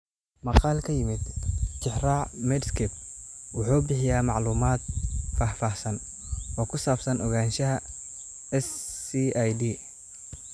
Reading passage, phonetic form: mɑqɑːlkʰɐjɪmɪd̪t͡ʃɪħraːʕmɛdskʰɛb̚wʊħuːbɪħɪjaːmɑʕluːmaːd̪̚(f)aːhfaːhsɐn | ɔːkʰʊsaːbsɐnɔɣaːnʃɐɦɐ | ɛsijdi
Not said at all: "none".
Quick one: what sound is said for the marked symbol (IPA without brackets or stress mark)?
f